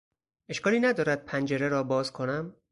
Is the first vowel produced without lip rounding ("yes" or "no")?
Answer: yes